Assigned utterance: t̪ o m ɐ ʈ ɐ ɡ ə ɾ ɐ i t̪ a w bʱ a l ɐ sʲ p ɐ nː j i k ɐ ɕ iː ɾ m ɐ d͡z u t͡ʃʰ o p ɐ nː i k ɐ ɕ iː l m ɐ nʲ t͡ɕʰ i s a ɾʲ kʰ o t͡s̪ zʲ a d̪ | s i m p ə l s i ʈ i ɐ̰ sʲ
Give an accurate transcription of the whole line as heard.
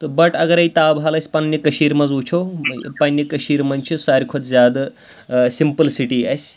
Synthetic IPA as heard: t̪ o b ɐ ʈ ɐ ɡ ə ɾ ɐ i t̪ a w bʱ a l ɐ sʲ p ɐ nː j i k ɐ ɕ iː ɾ m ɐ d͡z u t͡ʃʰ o p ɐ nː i k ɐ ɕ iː ɾ m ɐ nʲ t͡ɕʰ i s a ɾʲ kʰ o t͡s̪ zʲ a d̪ | s i m p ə l s i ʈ i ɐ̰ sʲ